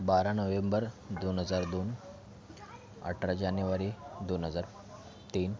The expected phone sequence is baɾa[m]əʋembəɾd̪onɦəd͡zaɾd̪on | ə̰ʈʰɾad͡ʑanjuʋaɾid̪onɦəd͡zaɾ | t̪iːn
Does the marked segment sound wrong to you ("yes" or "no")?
yes